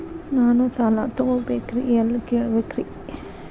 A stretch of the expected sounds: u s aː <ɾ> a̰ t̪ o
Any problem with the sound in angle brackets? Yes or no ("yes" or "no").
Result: yes